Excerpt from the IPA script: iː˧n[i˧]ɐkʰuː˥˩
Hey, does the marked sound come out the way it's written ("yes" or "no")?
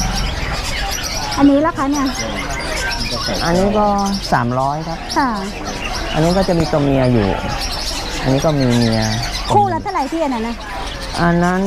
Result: yes